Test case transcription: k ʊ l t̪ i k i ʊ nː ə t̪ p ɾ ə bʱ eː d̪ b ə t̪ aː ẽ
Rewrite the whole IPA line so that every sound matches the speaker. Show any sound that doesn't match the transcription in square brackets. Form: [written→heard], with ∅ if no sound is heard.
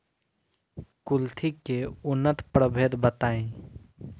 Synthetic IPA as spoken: k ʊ l [t̪→t̪ʰ] i k [i→e] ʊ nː ə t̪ p ɾ ə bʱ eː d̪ b ə t̪ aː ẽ